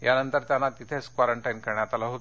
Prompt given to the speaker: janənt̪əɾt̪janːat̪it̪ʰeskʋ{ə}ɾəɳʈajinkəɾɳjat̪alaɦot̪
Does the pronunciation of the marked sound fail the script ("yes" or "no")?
yes